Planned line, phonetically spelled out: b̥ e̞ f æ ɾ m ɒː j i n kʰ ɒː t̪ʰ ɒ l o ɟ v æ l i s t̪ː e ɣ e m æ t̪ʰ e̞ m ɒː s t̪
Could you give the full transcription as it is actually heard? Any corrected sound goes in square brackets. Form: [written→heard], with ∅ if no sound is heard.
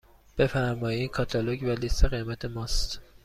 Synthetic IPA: b̥ e̞ f æ ɾ m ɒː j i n kʰ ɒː t̪ʰ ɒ l o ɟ v æ l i s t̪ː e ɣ e m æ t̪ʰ e̞ m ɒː s t̪